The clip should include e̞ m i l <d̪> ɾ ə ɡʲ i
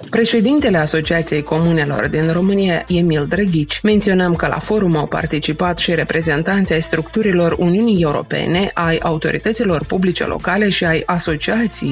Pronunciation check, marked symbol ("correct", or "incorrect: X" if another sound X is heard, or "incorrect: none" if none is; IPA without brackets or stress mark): correct